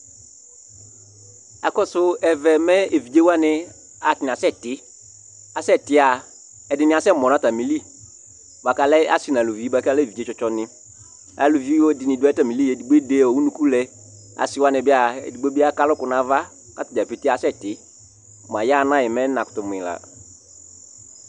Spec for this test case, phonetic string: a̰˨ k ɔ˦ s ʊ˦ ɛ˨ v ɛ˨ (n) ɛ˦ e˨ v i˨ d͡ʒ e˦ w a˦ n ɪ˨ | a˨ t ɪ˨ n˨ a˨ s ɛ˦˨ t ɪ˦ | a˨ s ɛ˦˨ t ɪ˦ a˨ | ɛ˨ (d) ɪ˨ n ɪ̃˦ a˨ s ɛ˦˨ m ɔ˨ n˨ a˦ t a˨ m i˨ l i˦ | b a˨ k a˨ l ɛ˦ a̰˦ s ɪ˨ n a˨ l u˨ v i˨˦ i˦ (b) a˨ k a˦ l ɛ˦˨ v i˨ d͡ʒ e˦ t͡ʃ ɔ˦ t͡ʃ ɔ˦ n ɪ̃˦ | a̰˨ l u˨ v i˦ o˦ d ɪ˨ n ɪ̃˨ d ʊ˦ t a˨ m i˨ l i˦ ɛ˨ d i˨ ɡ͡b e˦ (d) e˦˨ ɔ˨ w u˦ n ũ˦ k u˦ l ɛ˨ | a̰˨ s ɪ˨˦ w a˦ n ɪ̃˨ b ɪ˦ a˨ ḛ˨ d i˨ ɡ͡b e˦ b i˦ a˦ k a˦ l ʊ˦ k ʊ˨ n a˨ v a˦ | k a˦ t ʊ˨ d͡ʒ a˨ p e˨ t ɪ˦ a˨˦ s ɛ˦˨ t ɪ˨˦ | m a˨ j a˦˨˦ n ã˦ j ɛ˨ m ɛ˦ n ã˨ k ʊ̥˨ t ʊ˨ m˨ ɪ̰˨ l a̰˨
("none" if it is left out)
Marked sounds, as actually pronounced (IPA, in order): m, d, b, d

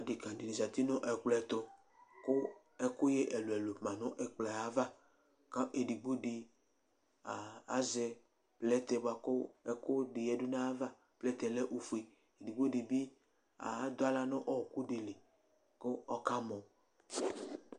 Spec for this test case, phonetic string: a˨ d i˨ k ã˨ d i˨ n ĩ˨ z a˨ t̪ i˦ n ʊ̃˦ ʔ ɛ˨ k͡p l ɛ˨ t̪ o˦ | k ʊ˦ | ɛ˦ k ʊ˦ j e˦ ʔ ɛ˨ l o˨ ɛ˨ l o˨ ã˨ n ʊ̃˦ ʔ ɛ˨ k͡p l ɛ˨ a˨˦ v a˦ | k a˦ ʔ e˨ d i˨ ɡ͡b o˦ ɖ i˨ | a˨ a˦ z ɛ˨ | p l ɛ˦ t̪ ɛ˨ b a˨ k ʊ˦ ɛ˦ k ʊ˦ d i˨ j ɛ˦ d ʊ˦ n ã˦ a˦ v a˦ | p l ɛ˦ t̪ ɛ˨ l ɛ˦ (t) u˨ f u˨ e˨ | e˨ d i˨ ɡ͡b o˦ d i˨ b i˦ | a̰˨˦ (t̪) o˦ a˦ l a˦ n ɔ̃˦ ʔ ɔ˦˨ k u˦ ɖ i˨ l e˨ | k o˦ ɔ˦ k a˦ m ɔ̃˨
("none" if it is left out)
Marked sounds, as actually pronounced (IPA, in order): ʔ, d̪

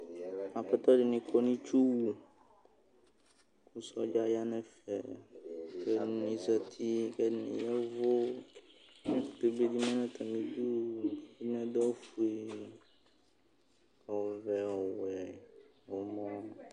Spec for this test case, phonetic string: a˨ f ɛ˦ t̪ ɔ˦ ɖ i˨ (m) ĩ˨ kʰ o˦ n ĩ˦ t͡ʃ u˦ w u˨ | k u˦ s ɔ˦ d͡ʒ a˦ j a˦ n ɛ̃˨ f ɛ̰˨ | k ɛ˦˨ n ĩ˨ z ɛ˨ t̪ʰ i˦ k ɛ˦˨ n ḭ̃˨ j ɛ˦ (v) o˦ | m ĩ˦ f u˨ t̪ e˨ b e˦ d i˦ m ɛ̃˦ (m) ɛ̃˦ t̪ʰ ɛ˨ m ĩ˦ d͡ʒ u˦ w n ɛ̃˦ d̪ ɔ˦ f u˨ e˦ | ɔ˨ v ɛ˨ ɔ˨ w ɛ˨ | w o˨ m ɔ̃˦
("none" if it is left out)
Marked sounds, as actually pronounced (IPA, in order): n, v, n

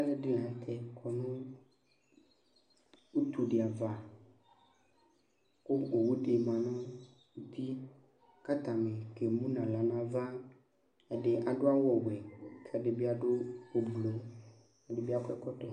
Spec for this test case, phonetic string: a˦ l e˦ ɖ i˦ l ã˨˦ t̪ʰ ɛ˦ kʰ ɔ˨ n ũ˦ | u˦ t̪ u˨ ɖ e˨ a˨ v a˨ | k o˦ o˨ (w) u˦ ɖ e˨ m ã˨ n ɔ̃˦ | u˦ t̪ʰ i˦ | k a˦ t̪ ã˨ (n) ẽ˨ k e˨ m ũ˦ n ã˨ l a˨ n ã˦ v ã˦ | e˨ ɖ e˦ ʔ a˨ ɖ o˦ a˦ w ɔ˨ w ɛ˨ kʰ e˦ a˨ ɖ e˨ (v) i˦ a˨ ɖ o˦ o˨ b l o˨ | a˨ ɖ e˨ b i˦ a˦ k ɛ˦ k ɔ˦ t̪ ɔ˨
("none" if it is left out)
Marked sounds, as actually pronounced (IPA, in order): w, m, b

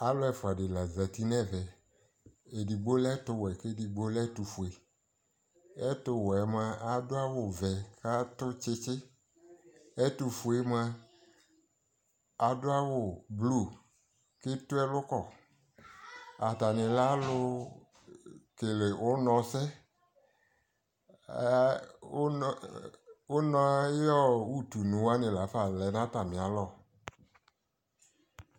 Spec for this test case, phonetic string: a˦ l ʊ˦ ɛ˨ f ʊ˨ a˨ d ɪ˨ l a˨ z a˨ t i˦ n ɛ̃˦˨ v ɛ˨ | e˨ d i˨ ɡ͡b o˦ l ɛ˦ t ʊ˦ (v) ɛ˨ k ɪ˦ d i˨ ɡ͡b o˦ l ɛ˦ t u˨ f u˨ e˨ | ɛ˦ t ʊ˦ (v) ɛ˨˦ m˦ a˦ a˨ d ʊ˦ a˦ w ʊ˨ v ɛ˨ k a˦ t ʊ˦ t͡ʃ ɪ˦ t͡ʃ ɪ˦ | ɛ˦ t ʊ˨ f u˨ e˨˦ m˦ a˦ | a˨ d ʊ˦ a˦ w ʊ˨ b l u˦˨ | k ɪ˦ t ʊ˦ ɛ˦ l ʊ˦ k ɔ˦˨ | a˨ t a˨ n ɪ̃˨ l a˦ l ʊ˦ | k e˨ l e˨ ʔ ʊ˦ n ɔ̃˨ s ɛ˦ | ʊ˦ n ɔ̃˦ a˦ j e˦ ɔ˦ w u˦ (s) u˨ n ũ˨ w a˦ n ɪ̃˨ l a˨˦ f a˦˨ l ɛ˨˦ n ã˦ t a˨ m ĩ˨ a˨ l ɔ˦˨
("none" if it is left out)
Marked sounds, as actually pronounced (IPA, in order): w, w, t

